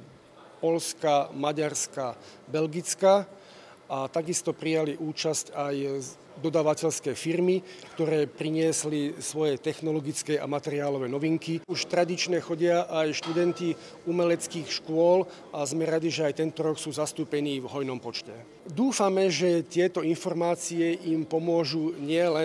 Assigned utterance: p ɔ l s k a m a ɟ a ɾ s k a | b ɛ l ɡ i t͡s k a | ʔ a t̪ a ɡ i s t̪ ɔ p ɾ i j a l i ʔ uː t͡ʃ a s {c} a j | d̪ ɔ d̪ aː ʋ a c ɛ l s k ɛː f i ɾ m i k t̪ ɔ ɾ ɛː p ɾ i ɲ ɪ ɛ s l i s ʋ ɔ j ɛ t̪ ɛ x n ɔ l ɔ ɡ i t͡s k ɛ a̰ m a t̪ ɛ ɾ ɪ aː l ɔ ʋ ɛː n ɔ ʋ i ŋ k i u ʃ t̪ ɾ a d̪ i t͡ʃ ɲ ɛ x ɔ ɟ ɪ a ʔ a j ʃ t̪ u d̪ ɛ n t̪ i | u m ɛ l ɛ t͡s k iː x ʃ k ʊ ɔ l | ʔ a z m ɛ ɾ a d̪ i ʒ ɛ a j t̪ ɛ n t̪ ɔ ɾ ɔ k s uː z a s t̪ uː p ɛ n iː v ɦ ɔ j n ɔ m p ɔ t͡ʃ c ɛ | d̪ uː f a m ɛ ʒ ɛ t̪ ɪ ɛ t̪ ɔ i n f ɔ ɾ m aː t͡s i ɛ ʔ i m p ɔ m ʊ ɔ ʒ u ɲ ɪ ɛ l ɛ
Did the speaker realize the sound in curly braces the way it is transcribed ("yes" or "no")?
yes